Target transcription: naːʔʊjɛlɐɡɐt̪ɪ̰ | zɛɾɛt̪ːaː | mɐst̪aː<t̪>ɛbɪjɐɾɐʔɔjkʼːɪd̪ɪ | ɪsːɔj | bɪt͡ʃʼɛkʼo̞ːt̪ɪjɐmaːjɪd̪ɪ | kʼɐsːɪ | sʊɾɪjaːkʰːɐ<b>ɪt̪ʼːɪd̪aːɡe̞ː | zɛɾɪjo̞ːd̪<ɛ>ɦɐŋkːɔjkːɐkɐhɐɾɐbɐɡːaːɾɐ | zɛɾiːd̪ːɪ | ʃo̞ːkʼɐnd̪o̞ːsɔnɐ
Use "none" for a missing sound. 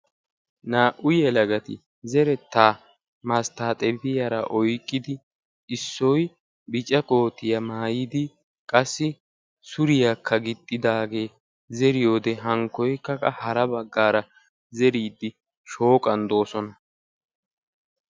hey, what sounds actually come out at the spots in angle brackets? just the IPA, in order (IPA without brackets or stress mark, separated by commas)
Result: t̪ʼ, ɡ, ɛ